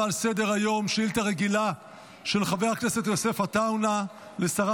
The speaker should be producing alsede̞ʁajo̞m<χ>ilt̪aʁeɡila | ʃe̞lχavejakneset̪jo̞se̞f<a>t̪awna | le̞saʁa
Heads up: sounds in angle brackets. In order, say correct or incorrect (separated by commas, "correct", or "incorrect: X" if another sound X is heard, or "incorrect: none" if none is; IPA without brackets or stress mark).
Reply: incorrect: ʃ, correct